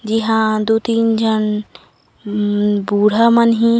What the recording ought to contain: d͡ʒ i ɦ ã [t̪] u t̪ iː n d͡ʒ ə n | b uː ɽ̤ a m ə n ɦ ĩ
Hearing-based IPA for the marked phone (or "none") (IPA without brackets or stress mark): d̪